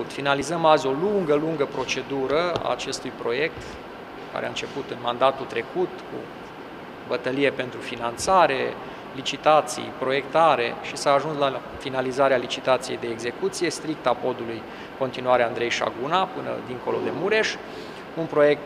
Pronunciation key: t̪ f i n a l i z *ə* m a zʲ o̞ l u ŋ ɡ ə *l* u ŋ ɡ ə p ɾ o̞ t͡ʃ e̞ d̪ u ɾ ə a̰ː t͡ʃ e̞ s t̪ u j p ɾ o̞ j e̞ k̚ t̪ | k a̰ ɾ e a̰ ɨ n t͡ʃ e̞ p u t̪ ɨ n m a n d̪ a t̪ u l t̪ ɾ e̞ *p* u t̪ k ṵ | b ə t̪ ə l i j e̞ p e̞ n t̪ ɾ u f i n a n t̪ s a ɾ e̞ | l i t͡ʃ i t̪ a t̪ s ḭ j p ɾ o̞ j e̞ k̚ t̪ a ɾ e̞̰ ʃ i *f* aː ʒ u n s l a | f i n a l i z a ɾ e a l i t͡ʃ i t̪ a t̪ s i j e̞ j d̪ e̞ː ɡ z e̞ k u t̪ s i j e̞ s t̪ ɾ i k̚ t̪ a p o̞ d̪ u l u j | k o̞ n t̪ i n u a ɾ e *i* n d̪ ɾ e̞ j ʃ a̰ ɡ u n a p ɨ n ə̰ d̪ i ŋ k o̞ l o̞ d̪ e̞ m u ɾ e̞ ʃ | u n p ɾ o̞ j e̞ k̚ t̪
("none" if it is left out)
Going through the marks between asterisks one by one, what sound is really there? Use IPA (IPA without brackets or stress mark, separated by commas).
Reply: ə, l, k, s, a